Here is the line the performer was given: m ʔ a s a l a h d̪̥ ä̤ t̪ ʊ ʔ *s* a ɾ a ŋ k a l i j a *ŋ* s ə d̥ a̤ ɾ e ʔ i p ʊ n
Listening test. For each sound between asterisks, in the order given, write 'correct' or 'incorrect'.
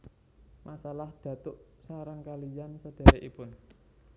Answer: correct, incorrect

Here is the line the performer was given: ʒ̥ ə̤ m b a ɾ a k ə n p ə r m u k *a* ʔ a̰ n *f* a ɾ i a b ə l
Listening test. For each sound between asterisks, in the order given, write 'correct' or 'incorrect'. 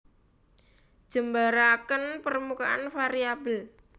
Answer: correct, correct

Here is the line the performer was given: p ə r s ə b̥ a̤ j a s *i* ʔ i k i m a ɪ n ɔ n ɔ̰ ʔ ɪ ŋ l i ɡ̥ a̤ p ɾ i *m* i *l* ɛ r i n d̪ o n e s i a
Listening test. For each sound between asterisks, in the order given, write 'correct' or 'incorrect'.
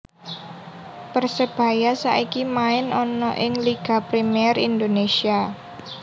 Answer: incorrect, correct, incorrect

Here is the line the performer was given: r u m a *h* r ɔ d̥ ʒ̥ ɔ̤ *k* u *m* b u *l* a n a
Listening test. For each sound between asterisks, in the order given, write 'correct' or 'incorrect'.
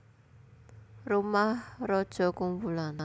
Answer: correct, correct, correct, correct

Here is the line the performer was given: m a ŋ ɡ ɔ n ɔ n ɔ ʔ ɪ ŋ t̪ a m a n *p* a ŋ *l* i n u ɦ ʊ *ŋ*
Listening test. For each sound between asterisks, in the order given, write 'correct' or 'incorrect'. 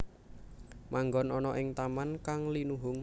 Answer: incorrect, correct, correct

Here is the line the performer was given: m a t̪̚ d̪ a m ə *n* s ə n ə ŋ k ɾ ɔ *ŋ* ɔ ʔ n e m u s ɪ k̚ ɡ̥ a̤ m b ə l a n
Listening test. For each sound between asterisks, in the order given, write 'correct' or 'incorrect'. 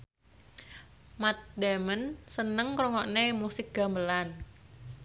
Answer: correct, correct

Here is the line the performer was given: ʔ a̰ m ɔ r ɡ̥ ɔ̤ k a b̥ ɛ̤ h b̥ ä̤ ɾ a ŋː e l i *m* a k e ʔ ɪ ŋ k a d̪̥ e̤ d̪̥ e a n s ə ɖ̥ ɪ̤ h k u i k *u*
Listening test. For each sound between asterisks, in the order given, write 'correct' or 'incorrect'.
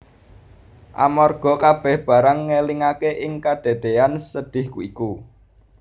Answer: incorrect, correct

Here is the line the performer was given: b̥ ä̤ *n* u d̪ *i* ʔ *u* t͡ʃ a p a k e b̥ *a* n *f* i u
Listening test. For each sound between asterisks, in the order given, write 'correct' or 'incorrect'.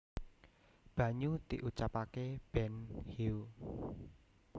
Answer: incorrect, correct, correct, incorrect, incorrect

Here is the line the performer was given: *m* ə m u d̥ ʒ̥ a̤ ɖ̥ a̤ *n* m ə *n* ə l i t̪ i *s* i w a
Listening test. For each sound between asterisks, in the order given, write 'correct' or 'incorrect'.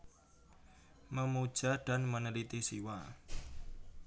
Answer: correct, correct, correct, correct

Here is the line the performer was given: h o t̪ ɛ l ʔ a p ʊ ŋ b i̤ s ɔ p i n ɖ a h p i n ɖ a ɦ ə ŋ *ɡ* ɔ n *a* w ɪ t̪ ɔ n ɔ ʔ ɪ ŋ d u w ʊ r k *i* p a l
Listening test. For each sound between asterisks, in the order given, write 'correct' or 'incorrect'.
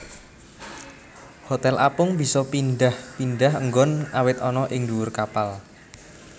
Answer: correct, correct, incorrect

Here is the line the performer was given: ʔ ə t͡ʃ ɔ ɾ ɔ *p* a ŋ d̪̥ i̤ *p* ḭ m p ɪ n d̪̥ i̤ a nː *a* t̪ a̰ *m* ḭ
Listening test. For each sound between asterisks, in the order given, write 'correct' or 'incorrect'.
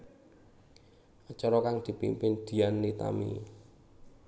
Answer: incorrect, correct, incorrect, correct

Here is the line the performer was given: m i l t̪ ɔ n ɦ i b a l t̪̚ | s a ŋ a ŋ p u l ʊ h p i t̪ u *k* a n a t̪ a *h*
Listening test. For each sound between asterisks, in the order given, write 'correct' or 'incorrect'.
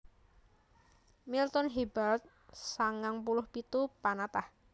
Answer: incorrect, correct

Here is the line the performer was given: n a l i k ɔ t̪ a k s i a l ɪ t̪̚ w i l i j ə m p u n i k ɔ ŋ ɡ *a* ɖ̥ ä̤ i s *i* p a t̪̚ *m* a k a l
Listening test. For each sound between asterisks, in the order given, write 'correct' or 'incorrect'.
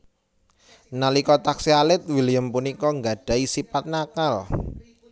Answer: correct, correct, incorrect

